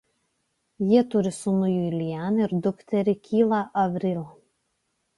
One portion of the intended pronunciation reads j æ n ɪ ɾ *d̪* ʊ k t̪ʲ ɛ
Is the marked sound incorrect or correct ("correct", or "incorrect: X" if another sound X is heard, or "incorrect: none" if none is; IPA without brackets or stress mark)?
correct